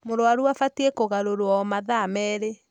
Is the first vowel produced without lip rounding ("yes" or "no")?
no